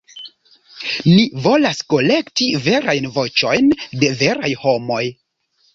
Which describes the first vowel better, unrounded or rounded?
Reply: unrounded